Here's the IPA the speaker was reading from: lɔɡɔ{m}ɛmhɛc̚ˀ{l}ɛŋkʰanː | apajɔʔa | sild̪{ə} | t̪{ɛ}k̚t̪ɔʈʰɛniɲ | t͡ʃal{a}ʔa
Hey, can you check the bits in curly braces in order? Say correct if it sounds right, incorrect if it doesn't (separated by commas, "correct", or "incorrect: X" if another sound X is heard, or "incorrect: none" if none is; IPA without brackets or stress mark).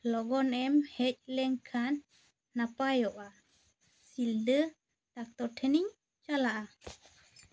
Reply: incorrect: n, correct, correct, incorrect: a, correct